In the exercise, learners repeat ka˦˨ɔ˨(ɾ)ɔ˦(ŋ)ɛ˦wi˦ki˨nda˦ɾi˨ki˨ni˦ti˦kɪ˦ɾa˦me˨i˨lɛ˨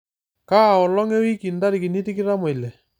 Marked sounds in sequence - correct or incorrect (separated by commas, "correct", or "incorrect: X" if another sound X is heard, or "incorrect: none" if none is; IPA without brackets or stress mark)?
incorrect: l, correct